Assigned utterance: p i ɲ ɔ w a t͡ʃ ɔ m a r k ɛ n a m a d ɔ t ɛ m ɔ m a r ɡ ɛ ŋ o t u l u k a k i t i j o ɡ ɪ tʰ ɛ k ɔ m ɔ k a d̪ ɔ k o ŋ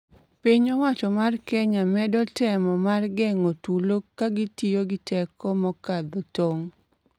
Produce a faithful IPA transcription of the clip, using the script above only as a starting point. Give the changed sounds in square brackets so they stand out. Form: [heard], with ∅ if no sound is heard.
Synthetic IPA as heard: p i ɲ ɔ w a t͡ʃ ɔ m a r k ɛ [ɲ] a m [ɛ] d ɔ t ɛ m ɔ m a r ɡ ɛ ŋ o t u l [o] k a [ɡ] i t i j o ɡ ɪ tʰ ɛ k ɔ m ɔ k a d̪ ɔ [t] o ŋ

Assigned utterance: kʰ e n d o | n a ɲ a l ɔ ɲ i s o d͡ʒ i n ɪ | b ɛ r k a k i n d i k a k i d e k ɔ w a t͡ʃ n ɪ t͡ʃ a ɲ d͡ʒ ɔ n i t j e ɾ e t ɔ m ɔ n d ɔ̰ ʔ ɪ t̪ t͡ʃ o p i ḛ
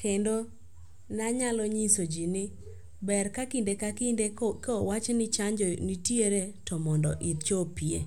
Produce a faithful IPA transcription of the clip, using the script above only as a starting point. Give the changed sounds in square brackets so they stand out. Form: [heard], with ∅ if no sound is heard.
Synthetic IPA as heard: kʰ e n d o | n a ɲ a l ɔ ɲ i s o d͡ʒ i n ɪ | b ɛ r k a k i n d [e] k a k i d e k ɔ w a t͡ʃ n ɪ t͡ʃ a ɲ d͡ʒ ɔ n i t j e ɾ e t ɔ m ɔ n d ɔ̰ ʔ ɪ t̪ t͡ʃ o p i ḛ

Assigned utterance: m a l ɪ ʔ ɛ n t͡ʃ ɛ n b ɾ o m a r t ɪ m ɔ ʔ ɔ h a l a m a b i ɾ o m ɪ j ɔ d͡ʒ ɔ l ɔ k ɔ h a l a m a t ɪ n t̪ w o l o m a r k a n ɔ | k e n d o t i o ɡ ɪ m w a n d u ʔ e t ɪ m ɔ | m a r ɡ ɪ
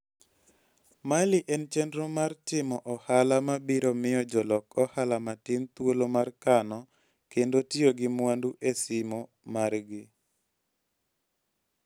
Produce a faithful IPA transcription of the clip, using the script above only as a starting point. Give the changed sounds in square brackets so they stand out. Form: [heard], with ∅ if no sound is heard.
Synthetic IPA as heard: m a l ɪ ʔ ɛ n t͡ʃ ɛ n [d] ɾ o m a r t ɪ m ɔ ʔ ɔ h a l a m a b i ɾ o m ɪ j ɔ d͡ʒ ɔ l ɔ k ɔ h a l a m a t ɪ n t̪ w o l o m a r k a n ɔ | k e n d o t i o ɡ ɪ m w a n d u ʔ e [s] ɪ m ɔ | m a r ɡ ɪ

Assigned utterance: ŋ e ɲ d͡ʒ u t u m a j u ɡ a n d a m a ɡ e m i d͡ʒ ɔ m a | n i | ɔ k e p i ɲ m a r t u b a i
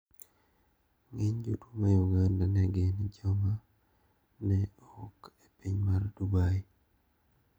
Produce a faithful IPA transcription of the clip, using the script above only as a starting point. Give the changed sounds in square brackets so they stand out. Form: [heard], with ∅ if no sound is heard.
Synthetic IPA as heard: ŋ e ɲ d͡ʒ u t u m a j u ɡ a n d a [n] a ɡ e [n] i d͡ʒ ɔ m a | n [ɛ] | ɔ k e p i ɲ m a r [d] u b a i

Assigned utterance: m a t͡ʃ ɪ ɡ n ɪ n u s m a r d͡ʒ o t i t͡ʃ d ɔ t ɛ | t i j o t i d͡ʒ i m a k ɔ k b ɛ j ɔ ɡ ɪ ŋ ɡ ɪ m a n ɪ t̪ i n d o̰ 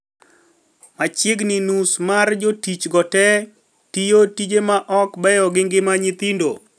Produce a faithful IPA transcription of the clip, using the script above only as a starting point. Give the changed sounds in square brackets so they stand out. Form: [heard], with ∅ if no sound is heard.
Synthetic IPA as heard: m a t͡ʃ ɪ ɡ n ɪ n u s m a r d͡ʒ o t i t͡ʃ [ɡ] ɔ t ɛ | t i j o t i d͡ʒ [e] m a [ʔ] ɔ k b ɛ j ɔ ɡ ɪ ŋ ɡ ɪ m a [ɲ] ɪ t̪ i n d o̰

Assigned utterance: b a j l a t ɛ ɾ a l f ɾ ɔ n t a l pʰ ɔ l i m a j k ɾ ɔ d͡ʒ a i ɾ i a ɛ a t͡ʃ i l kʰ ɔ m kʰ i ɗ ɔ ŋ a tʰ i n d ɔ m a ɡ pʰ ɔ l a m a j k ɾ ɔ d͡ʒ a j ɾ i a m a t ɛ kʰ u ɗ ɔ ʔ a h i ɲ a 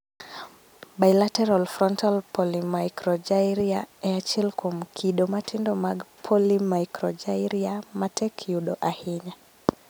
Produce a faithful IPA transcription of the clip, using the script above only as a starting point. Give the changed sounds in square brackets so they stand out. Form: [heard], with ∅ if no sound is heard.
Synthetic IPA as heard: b a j l a t ɛ ɾ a l f ɾ ɔ n t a l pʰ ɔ l i m a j k ɾ ɔ d͡ʒ a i ɾ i a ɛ a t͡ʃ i l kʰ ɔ m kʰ i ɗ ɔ [m] a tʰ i n d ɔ m a ɡ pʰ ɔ l [i] m a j k ɾ ɔ d͡ʒ a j ɾ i a m a t ɛ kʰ u ɗ ɔ ʔ a h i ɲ a

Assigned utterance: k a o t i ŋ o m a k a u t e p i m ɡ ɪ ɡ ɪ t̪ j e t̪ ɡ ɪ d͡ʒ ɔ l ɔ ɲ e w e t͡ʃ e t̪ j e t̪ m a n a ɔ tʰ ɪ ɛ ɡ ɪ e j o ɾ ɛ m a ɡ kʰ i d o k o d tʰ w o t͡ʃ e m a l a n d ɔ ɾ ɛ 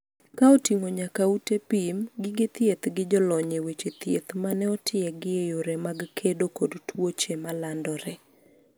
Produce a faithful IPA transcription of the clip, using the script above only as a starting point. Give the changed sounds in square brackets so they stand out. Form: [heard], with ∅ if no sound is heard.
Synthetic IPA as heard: k a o t i ŋ o [ɲ] a k a u t e p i m ɡ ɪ ɡ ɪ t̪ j e t̪ ɡ ɪ d͡ʒ ɔ l ɔ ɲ e w e t͡ʃ e t̪ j e t̪ m a n [ɛ] ɔ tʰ ɪ ɛ ɡ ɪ e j o ɾ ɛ m a ɡ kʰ [e] d o k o d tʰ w o t͡ʃ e m a l a n d ɔ ɾ ɛ

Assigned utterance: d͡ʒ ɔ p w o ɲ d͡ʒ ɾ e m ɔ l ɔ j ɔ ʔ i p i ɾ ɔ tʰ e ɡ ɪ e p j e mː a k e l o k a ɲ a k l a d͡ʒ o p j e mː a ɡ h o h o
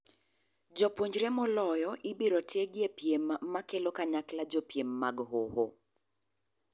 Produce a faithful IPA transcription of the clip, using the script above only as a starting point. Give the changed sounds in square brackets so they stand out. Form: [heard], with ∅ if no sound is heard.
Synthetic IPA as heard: d͡ʒ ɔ p w o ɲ d͡ʒ ɾ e m ɔ l ɔ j ɔ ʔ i [b] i ɾ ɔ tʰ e ɡ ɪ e p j e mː a k e l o k a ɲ a k l a d͡ʒ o p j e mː a ɡ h o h o

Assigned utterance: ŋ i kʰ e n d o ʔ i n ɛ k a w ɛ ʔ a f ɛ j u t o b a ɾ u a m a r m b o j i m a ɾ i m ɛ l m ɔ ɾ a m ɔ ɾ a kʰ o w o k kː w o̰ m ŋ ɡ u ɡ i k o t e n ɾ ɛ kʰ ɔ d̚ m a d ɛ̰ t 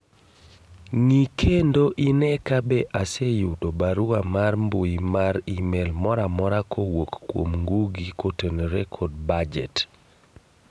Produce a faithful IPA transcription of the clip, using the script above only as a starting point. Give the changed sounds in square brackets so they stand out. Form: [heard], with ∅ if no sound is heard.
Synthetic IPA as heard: ŋ i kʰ e n d o ʔ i n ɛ k a [b] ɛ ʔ a [s] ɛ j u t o b a ɾ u a m a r m b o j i m a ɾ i m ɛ l m ɔ ɾ a m ɔ ɾ a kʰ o w o k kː w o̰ m ŋ ɡ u ɡ i k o t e n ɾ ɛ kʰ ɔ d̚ [b] a [d͡ʒ] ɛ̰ t

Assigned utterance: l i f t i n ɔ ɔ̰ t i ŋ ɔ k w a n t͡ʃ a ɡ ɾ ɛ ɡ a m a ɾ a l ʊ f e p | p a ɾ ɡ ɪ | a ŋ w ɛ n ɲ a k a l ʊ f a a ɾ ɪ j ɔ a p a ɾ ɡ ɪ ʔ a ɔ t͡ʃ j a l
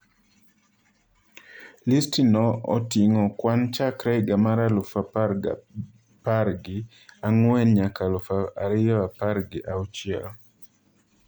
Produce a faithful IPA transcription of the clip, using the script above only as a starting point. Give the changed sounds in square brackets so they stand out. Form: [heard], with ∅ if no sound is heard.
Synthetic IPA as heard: l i [s] t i n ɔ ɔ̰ t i ŋ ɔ k w a n t͡ʃ a [k] ɾ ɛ ɡ a m a ɾ a l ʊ f [a] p | p a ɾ ɡ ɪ | a ŋ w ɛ n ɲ a k a l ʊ f a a ɾ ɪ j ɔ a p a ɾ ɡ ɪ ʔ a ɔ t͡ʃ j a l

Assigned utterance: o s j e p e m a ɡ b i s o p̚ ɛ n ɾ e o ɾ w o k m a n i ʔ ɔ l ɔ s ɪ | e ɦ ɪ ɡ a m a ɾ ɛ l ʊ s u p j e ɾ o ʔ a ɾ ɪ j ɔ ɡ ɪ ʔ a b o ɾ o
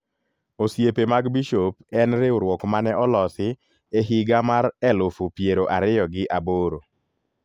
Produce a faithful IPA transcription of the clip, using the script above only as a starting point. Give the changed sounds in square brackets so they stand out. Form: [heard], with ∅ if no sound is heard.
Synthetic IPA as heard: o s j e p e m a ɡ b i [ʃ] o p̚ ɛ n ɾ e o ɾ w [ɔ] k m a n [ɛ] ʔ ɔ l ɔ s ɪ | e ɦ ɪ ɡ a m a ɾ ɛ l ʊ [f] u p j e ɾ o ʔ a ɾ ɪ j ɔ ɡ ɪ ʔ a b o ɾ o

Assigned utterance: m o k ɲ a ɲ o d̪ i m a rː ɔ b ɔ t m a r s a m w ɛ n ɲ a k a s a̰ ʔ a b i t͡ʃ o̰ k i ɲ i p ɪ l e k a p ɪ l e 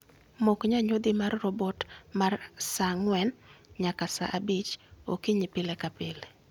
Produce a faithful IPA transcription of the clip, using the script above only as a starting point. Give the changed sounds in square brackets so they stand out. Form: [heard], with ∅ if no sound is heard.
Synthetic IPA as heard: m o k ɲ a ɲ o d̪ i m a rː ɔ b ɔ t m a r s a [ŋ] w ɛ n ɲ a k a s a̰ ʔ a b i t͡ʃ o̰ k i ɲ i p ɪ l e k a p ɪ l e

